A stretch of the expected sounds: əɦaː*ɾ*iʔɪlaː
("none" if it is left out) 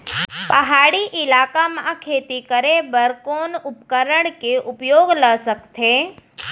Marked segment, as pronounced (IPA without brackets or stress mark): ɽ